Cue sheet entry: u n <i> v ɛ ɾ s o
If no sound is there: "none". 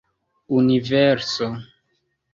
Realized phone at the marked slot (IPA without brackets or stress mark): i